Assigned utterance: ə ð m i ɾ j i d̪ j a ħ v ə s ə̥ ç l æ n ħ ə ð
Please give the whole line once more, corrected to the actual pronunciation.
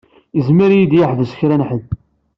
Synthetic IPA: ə z m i ɾ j i d̪ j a ħ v ə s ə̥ ç ɾ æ n ħ ə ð

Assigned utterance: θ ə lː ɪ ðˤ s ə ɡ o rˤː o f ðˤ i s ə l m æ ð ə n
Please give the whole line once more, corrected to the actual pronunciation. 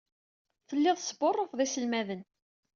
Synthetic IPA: θ ə lː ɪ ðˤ s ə b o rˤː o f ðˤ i s ə l m æ ð ə n

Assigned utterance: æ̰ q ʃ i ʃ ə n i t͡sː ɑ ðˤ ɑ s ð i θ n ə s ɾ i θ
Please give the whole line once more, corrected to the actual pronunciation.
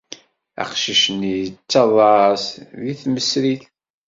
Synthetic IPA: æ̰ q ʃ i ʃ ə n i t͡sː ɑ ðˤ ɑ s ð i θ m ə s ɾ i θ

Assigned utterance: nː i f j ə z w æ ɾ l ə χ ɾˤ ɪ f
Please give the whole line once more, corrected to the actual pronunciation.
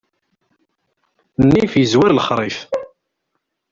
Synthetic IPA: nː i f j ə z w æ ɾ l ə χ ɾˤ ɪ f

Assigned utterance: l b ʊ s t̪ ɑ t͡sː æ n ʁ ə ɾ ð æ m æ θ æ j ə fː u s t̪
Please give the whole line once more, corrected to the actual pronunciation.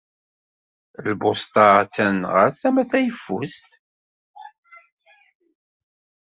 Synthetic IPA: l b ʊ s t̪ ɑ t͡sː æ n ʁ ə ɾ θ æ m æ θ æ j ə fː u s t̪

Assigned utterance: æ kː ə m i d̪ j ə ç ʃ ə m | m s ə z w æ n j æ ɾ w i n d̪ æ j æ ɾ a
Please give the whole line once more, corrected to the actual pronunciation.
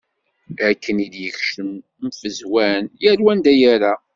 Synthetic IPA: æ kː ə n i d̪ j ə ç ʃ ə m | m f ə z w æ n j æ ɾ w æ n d̪ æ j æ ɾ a

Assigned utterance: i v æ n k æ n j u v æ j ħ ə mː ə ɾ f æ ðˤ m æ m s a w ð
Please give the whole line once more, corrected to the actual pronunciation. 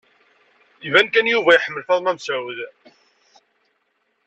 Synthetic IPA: i v æ n k æ n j u v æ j ħ ə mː ə l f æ ðˤ m æ m s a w ð

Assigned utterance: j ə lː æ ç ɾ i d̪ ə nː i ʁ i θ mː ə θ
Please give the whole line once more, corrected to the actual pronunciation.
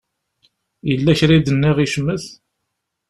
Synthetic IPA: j ə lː æ ç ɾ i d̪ ə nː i ʁ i ʃ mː ə θ

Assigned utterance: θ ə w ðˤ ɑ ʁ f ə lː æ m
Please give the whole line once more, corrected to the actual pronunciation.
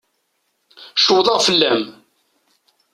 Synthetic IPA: ʃ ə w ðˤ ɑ ʁ f ə lː æ m

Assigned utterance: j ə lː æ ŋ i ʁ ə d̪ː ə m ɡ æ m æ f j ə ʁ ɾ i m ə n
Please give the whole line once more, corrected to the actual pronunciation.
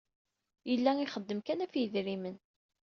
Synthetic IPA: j ə lː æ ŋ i χ ə d̪ː ə m k æ n æ f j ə ð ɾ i m ə n

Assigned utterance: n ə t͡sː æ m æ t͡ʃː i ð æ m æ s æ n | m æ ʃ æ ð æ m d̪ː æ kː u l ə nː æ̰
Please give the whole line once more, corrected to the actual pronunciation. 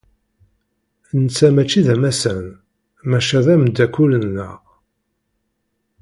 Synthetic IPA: n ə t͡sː æ m æ t͡ʃː i ð æ m æ s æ n | m æ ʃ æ ð æ m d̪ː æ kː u l ə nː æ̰

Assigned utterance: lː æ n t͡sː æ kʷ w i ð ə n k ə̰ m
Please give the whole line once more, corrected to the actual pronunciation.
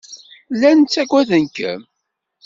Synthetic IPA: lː æ n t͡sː æ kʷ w æ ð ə n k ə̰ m

